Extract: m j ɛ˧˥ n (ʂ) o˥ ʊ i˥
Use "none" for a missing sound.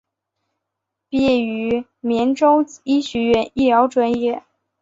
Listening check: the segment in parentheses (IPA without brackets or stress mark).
ʈ͡ʂ